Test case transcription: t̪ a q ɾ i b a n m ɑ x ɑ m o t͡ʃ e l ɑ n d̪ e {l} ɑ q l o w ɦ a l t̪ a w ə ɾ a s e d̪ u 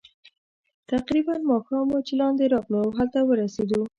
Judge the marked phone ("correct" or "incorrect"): incorrect